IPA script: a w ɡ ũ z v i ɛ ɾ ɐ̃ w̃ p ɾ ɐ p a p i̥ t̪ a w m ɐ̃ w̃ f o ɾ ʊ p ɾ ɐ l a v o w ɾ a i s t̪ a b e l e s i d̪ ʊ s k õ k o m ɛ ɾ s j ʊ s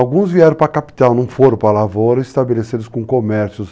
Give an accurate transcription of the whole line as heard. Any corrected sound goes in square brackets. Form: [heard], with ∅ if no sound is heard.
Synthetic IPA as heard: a w ɡ ũ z v i ɛ ɾ ɐ̃ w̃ p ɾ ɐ [k] a p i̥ t̪ a w [n] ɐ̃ w̃ f o ɾ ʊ p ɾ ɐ l a v o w ɾ [ɐ] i s t̪ a b e l e s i d̪ ʊ s k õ k o m ɛ ɾ s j ʊ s

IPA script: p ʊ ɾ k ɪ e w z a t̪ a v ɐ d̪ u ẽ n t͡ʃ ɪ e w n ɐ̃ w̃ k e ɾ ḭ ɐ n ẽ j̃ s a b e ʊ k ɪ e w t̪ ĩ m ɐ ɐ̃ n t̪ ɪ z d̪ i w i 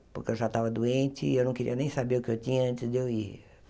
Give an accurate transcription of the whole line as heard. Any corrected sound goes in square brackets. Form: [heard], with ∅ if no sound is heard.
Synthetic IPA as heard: p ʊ ɾ k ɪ e w [ʒ] a t̪ a v ɐ d̪ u ẽ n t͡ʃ ɪ e w n ɐ̃ w̃ k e ɾ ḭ ɐ n ẽ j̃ s a b e ʊ k ɪ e w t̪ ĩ [ɲ] ɐ ɐ̃ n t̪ ɪ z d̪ [e] w i

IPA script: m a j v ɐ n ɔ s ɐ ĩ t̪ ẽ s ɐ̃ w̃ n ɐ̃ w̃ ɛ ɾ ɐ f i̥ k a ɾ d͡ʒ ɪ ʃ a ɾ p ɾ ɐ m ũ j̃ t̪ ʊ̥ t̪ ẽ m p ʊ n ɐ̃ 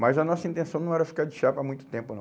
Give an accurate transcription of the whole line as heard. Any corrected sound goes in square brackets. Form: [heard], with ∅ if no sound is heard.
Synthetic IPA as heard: m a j [z] ɐ n ɔ s ɐ ĩ t̪ ẽ s ɐ̃ w̃ n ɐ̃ w̃ ɛ ɾ ɐ f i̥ k a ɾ d͡ʒ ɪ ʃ a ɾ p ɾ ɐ m ũ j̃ t̪ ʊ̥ t̪ ẽ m p ʊ n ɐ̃

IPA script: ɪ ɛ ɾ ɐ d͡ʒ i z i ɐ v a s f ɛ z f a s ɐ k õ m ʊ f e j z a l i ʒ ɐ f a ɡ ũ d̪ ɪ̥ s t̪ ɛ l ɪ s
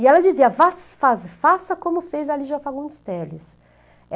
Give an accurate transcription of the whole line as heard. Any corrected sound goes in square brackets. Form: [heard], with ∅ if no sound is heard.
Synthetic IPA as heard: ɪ ɛ [l] ɐ d͡ʒ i z i ɐ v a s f [a] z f a s ɐ k õ m ʊ f e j z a l i ʒ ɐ f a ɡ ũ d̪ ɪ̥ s t̪ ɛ l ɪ s

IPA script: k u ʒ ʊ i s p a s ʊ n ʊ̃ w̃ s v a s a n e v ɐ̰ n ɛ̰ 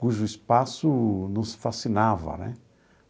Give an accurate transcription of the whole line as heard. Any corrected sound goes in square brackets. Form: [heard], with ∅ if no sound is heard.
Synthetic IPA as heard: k u ʒ ʊ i s p a s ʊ n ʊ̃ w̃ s [f] a s [i] n [a] v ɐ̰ n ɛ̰

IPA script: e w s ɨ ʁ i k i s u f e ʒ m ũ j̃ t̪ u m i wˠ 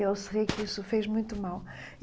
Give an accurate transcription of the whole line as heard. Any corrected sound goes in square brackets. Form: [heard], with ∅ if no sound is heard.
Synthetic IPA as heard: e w s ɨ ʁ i k i s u f e ʒ m ũ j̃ t̪ u m [a] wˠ

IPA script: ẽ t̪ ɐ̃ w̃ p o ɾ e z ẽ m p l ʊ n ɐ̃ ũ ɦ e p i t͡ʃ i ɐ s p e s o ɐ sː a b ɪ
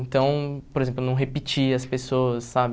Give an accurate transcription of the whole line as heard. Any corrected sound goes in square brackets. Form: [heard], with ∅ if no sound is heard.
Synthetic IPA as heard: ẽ t̪ ɐ̃ w̃ p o ɾ e z ẽ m p l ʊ n ɐ̃ [w̃] ɦ e p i t͡ʃ i ɐ s p e s o ɐ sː a b ɪ

